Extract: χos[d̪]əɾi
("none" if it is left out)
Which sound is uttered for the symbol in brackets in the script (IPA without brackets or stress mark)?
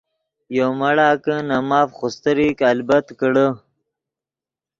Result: t̪